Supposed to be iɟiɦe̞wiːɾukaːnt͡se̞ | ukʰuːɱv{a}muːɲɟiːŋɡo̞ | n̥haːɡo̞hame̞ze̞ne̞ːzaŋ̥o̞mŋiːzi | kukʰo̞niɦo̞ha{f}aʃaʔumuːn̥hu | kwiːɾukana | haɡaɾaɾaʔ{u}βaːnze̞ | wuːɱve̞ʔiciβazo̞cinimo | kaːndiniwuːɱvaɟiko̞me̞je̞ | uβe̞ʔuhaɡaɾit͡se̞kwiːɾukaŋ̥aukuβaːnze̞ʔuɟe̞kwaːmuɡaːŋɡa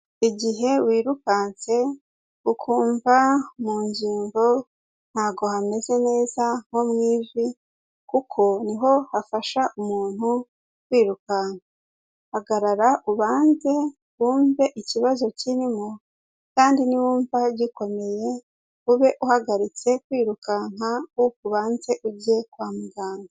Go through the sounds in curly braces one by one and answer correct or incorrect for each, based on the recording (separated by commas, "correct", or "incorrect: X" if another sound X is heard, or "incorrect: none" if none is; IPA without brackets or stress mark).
correct, correct, correct